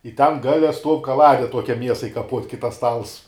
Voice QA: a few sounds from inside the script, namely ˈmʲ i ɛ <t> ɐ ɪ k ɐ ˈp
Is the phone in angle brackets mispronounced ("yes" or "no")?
yes